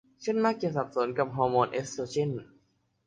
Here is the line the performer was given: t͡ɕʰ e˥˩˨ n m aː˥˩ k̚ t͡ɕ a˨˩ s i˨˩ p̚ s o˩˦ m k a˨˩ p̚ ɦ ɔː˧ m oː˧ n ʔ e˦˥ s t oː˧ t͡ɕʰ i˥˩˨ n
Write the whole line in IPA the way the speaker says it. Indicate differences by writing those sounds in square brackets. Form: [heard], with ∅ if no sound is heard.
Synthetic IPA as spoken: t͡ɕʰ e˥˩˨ n m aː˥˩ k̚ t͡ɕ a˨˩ s [a˨˩] p̚ s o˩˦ [n] k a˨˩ p̚ ɦ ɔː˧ m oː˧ n ʔ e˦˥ s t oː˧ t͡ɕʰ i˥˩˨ n